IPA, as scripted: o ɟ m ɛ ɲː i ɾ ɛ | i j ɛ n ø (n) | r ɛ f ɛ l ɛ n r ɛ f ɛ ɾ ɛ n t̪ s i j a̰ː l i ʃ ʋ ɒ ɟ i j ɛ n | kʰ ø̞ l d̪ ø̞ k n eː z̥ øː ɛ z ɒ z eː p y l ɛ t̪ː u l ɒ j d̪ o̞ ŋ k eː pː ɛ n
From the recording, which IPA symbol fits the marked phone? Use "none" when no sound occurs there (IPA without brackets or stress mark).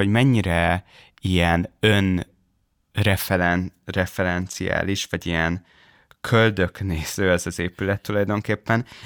n